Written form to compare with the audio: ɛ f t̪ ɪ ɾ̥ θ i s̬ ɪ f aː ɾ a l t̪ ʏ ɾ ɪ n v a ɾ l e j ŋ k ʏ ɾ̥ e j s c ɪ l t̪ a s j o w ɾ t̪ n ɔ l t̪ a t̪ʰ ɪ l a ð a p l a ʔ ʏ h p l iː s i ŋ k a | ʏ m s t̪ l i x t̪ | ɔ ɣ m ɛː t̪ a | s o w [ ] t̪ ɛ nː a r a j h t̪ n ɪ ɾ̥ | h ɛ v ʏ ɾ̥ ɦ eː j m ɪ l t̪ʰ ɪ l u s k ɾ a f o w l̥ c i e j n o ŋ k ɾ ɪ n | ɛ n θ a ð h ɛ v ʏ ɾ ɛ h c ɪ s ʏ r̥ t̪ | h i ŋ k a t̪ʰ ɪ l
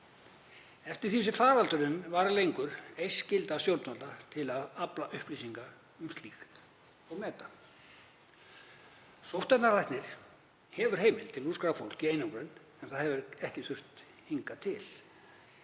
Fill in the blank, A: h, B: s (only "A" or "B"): A